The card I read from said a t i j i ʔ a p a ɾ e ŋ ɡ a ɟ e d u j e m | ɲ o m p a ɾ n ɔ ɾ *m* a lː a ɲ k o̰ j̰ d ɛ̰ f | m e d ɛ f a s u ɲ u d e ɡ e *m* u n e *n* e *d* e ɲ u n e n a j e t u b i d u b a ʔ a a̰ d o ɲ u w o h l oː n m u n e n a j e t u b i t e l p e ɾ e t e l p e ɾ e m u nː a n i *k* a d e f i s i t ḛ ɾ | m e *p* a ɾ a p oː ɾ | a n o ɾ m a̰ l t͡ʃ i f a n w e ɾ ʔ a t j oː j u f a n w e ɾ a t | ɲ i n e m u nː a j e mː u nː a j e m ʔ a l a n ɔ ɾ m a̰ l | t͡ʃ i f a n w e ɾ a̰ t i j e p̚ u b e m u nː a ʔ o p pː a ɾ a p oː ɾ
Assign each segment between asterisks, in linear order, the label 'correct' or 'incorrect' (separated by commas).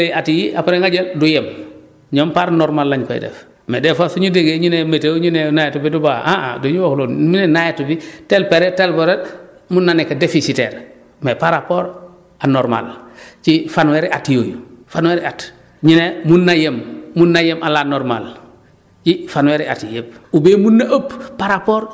correct, incorrect, incorrect, incorrect, correct, correct